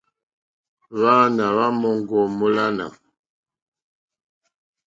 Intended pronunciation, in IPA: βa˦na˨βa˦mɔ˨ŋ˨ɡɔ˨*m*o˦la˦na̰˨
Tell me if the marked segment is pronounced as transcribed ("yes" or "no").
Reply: yes